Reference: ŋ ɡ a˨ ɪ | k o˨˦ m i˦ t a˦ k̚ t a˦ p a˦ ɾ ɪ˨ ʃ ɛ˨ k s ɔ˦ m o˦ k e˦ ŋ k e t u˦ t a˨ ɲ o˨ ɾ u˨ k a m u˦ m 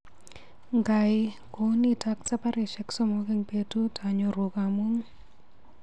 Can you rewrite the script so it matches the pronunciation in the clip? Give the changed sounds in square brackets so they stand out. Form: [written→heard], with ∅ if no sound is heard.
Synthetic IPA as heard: ŋ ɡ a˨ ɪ | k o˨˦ [m→n] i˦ t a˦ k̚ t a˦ p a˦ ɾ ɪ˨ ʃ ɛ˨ k s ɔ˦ m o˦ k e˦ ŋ [k→p] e t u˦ t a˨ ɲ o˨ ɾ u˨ k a m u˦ [m→ŋ]